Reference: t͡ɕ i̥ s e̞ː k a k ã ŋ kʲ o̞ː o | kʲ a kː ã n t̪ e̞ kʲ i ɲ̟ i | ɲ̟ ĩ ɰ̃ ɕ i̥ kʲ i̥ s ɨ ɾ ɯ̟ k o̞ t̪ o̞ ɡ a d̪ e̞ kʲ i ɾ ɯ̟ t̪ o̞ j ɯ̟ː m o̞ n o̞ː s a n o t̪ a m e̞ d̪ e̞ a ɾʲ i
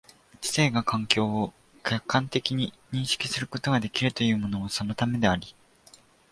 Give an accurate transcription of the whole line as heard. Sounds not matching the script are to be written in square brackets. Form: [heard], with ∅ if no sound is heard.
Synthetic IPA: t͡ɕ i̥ s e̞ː [ɡ] a k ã ŋ kʲ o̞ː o | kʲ a kː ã n t̪ e̞ kʲ i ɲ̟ i | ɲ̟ ĩ ɰ̃ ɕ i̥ kʲ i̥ s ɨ ɾ ɯ̟ k o̞ t̪ o̞ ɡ a d̪ e̞ kʲ i ɾ ɯ̟ t̪ o̞ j ɯ̟ː m o̞ n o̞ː s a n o t̪ a m e̞ d̪ e̞ a ɾʲ i